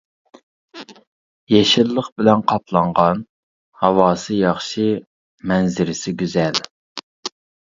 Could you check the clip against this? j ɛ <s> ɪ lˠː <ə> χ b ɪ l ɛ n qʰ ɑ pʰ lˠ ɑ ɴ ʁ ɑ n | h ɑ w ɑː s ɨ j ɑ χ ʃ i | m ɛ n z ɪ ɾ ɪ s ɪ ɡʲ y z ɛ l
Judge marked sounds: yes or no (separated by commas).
no, yes